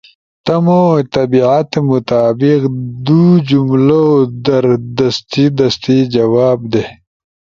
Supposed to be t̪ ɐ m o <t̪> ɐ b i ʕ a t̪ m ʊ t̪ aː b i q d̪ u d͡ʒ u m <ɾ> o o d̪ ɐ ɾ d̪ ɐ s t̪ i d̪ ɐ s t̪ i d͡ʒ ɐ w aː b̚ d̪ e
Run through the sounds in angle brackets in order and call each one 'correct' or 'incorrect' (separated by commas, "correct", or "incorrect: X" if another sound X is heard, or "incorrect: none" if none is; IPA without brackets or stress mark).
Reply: correct, incorrect: l